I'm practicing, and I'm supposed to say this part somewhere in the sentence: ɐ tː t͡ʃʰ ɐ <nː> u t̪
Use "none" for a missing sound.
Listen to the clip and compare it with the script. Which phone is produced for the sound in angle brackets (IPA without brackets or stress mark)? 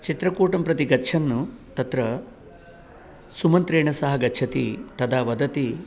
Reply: nː